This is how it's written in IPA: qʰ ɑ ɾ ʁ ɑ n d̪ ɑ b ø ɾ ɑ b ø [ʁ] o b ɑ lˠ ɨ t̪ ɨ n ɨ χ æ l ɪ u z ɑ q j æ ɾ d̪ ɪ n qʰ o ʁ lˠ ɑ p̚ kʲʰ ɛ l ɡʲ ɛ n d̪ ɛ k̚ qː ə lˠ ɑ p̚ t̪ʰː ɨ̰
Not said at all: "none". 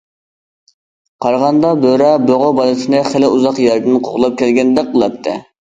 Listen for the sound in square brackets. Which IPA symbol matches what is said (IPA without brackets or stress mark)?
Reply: ʁ